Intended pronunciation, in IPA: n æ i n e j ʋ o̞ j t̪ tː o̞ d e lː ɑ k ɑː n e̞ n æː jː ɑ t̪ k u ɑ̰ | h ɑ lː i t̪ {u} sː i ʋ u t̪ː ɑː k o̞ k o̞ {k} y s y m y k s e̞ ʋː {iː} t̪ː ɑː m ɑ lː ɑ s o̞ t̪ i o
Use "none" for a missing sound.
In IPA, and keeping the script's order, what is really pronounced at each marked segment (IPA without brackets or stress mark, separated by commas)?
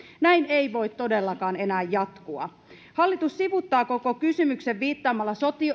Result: u, k, iː